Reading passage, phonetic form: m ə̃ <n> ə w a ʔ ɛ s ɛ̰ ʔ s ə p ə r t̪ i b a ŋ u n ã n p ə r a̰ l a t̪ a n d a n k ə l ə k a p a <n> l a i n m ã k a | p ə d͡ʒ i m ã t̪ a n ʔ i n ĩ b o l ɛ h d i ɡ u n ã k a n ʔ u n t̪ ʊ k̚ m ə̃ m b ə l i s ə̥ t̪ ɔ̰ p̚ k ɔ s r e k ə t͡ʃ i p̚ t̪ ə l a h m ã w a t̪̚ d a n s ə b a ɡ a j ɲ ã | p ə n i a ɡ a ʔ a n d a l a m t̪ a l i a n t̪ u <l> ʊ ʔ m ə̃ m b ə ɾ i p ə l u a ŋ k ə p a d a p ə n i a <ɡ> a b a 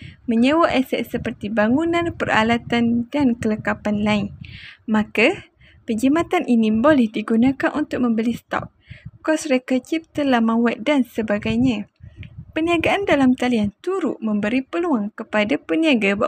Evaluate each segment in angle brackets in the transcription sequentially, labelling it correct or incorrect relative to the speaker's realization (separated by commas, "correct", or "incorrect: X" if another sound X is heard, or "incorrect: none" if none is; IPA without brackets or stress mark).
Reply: incorrect: ɲ, correct, incorrect: ɾ, correct